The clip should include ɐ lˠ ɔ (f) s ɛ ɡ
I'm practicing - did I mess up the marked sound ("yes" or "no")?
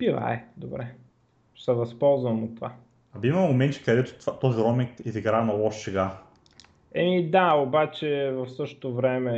yes